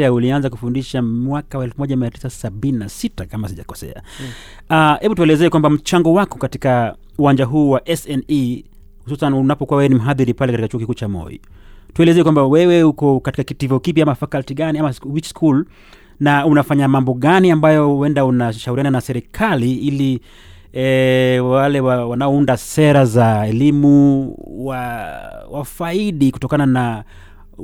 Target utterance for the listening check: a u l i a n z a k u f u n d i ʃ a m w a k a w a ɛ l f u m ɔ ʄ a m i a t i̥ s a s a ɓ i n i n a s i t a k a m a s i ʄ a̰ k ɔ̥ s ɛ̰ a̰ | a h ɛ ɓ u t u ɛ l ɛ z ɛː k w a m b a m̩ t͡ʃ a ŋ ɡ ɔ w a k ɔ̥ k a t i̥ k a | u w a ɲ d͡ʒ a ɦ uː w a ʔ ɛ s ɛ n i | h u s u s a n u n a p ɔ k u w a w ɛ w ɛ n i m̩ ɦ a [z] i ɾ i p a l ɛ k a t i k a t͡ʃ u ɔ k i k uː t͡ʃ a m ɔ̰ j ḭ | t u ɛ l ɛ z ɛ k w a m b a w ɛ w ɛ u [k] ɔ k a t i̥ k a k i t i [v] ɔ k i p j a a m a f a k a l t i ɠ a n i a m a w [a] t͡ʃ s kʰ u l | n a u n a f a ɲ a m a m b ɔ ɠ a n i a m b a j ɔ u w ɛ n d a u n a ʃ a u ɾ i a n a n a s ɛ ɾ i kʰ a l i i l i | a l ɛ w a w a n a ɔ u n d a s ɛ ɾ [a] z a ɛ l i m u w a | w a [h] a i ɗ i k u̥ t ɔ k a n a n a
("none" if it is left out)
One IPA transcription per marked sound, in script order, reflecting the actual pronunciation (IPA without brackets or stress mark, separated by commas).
ð, k, v, i, a, f